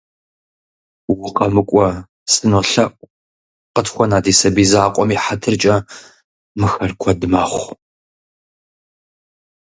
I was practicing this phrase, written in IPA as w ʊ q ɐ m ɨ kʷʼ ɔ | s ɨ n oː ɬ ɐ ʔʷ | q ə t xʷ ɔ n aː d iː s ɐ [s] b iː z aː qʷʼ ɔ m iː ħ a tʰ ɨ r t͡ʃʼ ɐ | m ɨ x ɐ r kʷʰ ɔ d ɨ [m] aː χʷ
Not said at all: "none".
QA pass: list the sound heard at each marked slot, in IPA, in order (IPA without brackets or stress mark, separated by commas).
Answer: none, m